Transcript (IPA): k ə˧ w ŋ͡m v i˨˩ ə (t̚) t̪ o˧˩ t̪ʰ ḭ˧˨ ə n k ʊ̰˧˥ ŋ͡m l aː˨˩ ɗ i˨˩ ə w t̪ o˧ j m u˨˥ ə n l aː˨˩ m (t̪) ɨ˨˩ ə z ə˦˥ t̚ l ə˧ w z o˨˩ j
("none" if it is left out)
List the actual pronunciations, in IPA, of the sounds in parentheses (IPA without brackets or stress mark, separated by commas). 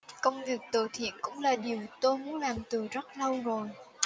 k̚, t̪